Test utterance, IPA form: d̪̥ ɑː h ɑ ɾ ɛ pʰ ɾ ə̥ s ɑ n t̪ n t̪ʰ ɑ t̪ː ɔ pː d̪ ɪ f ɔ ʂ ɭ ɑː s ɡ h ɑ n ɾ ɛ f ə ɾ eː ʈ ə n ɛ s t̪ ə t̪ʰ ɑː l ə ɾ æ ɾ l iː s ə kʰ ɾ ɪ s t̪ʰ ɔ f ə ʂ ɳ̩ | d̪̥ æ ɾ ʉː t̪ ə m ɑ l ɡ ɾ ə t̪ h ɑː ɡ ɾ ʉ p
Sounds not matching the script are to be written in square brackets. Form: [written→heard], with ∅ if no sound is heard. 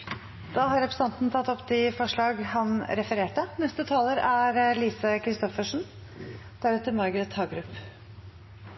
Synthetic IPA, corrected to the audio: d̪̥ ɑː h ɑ ɾ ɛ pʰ ɾ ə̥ s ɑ n t̪ n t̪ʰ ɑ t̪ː ɔ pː d̪ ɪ f ɔ ʂ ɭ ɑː [s→∅] ɡ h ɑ n ɾ ɛ f ə ɾ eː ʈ ə n ɛ s t̪ ə t̪ʰ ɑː l ə ɾ æ ɾ l iː s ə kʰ ɾ ɪ s [t̪ʰ→t̪] ɔ f ə ʂ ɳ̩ | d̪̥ æ ɾ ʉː t̪ ə m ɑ [l→ɾ] ɡ ɾ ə t̪ h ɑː ɡ ɾ ʉ p

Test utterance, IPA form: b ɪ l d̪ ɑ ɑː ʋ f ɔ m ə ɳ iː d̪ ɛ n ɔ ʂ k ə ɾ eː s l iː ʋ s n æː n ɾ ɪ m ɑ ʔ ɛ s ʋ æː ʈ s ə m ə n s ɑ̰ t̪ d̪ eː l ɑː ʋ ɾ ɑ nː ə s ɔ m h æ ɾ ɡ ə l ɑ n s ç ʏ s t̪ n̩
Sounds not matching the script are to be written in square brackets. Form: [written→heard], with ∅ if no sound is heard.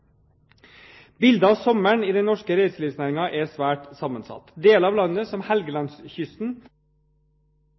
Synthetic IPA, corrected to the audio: b ɪ l d̪ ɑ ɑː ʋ [f→s] ɔ m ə ɳ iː d̪ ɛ n ɔ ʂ k ə ɾ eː s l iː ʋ s n æː [n→∅] ɾ ɪ [m→ŋ] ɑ ʔ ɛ s ʋ æː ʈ s [ə→ɑ] m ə n s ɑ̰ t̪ d̪ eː l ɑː ʋ [ɾ→l] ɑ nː ə s ɔ m h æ [ɾ→l] ɡ ə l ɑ n s ç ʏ s t̪ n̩

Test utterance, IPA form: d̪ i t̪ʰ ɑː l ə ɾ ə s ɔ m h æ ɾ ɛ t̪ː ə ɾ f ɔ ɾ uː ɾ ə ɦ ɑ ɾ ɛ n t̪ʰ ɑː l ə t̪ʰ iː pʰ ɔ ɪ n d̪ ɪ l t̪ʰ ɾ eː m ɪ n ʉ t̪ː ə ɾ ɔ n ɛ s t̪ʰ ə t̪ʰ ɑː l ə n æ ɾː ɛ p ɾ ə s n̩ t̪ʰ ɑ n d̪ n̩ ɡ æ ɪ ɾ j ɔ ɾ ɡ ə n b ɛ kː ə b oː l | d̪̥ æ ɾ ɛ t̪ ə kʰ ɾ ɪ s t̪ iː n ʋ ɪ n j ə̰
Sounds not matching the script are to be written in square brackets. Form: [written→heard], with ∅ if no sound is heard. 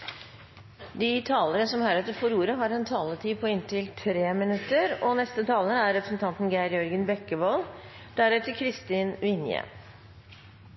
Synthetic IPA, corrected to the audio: d̪ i t̪ʰ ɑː l ə ɾ ə s ɔ m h æ ɾ ɛ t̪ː ə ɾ f ɔ ɾ uː ɾ ə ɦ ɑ ɾ ɛ n t̪ʰ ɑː l ə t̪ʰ iː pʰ ɔ ɪ n [d̪→t̪] ɪ l t̪ʰ ɾ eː m ɪ n ʉ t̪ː ə ɾ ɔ n ɛ s [t̪ʰ→t̪] ə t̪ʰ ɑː l ə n æ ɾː ɛ p ɾ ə s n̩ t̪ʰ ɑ n [d̪→t̪] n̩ ɡ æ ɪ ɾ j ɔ ɾ ɡ ə n b ɛ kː ə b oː l | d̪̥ æ ɾ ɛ t̪ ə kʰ ɾ ɪ s t̪ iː n ʋ ɪ n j ə̰

